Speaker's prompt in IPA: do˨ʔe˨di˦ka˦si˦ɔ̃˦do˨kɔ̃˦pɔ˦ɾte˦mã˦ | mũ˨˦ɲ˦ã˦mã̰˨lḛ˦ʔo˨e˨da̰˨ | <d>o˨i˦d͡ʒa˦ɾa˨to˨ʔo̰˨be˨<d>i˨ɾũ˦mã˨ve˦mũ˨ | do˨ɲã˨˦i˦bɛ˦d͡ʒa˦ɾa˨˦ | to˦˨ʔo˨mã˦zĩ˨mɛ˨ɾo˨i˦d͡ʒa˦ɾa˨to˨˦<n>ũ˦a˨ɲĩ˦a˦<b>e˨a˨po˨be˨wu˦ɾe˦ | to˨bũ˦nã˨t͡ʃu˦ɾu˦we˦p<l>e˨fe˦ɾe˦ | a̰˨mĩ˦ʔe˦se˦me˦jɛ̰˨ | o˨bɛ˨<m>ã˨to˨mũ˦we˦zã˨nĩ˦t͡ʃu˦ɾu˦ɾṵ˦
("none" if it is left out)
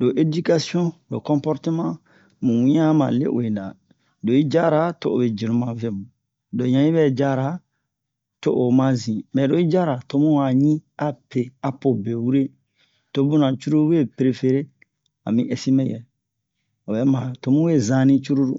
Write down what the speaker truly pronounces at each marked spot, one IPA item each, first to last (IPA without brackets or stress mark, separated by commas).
d, d͡ʒ, m, p, ɾ, m